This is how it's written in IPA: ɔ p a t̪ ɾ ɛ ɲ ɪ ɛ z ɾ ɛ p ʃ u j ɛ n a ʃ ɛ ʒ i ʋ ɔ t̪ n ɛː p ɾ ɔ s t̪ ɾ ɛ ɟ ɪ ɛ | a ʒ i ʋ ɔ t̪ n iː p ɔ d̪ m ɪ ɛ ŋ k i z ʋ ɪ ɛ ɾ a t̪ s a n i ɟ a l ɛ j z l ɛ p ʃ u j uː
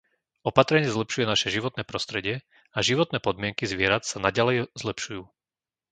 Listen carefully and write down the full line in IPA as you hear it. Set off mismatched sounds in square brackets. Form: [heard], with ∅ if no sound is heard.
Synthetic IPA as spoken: ɔ p a t̪ ɾ ɛ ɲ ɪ ɛ z [l] ɛ p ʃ u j ɛ n a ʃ ɛ ʒ i ʋ ɔ t̪ n ɛː p ɾ ɔ s t̪ ɾ ɛ ɟ ɪ ɛ | a ʒ i ʋ ɔ t̪ n [ɛː] p ɔ d̪ m ɪ ɛ ŋ k i z ʋ ɪ ɛ ɾ a t̪ s a n [a] ɟ a l ɛ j z l ɛ p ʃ u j uː